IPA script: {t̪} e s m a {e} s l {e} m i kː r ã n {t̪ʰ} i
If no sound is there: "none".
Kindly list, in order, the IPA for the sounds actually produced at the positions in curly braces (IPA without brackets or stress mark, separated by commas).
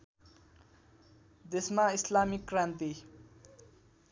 d̪, i, a, t̪